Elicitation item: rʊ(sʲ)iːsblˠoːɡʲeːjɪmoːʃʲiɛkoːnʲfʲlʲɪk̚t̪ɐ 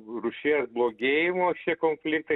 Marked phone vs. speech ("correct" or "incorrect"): incorrect